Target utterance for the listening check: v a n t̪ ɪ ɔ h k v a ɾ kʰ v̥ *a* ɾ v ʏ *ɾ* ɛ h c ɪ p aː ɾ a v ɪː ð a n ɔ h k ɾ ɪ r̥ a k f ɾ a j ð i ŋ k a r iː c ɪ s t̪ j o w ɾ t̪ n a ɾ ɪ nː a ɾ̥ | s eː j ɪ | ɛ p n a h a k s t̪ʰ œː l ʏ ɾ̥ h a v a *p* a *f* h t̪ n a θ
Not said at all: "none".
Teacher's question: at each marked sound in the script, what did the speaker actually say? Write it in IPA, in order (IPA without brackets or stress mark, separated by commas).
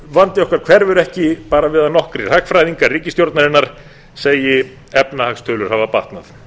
ɛ, ɾ, p, none